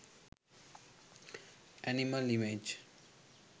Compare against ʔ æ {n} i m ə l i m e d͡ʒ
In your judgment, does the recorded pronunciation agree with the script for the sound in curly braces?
yes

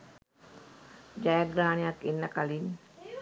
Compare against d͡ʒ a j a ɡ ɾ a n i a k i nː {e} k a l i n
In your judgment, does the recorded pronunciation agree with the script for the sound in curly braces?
no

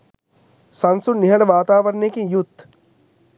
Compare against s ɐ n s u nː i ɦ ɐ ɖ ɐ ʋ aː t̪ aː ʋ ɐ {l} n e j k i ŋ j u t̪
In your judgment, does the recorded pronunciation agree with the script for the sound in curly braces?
no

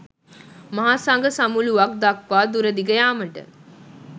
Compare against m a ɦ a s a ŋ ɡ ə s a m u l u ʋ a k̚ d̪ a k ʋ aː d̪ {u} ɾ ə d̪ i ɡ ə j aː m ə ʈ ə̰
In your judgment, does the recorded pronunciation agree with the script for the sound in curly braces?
yes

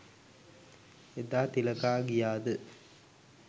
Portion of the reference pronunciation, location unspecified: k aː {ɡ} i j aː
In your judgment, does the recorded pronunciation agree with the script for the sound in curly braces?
yes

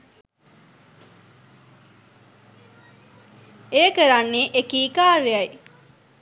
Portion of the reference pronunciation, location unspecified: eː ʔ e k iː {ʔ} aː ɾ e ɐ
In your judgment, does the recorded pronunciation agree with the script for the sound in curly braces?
no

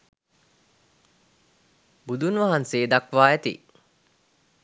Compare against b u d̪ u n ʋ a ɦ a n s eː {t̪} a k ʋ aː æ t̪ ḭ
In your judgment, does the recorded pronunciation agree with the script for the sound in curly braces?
no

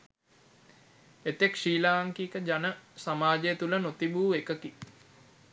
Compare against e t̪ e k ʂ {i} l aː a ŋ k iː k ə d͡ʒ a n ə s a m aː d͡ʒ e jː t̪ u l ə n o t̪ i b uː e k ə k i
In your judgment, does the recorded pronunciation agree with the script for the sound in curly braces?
no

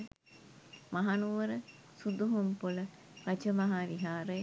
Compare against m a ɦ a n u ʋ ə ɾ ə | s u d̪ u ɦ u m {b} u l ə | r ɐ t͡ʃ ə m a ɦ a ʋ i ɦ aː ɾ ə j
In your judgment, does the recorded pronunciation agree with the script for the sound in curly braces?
no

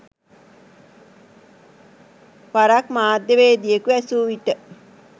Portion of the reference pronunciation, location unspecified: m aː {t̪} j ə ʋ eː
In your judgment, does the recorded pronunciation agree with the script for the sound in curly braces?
no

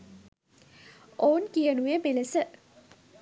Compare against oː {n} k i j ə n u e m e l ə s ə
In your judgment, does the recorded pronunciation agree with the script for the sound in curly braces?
yes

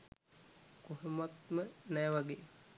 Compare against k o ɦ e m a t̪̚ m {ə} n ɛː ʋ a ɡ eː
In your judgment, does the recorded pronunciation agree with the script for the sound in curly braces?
yes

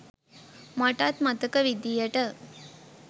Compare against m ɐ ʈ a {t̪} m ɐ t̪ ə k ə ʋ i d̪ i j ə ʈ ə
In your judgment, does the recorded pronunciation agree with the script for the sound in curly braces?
yes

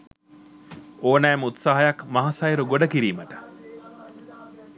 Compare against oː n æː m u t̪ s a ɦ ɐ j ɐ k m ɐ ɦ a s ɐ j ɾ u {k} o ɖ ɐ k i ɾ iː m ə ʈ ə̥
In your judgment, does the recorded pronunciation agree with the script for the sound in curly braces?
no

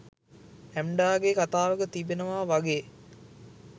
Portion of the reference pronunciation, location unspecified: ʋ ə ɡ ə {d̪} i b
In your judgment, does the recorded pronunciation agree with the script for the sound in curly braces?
no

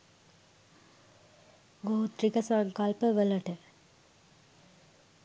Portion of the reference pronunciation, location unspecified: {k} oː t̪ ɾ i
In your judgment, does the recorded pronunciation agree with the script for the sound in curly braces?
no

